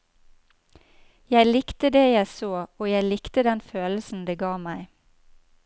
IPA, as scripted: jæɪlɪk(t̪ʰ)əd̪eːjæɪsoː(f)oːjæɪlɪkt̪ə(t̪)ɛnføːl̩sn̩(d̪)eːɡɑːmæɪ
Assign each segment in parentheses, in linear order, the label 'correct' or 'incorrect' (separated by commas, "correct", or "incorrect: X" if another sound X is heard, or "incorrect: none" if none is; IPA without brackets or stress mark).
incorrect: t̪, incorrect: none, incorrect: d̪, correct